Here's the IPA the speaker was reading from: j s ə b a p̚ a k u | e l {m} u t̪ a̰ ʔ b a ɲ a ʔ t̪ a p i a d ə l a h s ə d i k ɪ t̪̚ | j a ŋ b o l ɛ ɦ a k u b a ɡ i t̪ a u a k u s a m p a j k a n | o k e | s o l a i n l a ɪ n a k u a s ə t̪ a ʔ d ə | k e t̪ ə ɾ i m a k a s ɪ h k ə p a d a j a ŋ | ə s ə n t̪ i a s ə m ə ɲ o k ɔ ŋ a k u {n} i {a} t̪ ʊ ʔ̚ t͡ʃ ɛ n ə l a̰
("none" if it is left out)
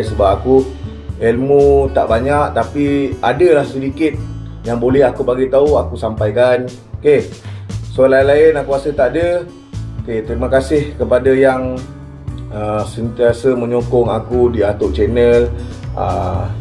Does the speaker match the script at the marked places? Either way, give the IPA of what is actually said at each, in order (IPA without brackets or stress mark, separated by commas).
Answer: m, d, a